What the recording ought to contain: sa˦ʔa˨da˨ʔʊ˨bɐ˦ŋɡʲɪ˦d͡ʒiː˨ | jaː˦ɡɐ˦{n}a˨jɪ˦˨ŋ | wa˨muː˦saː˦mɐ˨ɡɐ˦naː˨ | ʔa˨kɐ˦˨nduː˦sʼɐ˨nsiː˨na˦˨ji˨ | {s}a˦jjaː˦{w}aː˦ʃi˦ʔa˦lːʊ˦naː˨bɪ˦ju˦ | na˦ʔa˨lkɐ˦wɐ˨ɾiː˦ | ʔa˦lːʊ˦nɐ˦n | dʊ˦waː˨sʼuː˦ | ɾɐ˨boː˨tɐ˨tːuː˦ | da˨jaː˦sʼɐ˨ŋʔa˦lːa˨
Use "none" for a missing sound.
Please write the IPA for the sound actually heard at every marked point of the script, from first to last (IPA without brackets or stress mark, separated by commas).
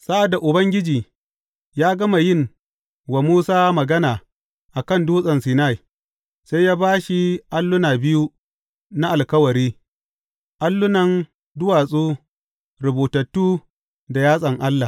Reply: m, s, b